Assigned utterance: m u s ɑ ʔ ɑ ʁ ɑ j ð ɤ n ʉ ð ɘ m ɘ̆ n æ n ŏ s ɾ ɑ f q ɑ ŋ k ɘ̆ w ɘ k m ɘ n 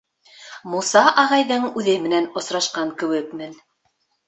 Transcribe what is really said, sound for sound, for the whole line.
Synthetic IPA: m u s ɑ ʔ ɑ ʁ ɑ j ð ɤ ɴ ʉ ð ɘ m ɘ̆ n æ n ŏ s ɾ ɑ ʃ q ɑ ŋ k ɘ̆ w ɘ k m ɘ n